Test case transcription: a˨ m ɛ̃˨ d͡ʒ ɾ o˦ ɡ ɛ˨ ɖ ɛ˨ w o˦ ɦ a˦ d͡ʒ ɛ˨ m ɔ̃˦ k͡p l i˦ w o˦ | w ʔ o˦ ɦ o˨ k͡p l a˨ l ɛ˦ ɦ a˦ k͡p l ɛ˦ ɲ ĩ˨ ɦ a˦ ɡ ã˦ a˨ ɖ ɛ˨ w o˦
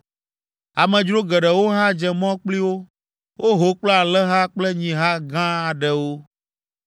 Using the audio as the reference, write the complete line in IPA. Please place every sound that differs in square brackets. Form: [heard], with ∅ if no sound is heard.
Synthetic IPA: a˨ m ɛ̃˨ d͡ʒ ɾ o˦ ɡ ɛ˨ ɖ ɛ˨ w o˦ ɦ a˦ d͡ʒ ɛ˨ m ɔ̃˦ k͡p l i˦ w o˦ | w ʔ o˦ ɦ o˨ k͡p l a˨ l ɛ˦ ɦ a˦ k͡p l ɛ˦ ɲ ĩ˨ ɦ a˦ ɡ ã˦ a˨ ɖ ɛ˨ w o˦